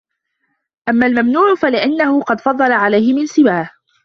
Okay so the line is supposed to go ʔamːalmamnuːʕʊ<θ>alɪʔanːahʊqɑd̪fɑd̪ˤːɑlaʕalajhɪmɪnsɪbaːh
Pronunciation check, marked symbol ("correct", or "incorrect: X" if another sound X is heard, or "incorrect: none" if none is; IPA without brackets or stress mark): incorrect: f